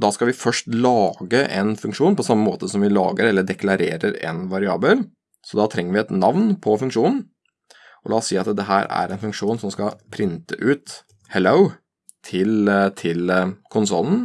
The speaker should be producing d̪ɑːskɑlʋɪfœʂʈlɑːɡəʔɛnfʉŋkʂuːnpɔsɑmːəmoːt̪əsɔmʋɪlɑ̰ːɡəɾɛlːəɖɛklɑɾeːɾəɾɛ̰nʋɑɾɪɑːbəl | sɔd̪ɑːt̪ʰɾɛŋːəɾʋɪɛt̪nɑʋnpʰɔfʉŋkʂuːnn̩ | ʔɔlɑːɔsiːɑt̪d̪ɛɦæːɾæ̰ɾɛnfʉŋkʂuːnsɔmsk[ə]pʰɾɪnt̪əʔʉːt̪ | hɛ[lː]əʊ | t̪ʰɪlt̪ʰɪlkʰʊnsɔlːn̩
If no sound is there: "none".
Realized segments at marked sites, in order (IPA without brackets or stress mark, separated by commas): ɑ, l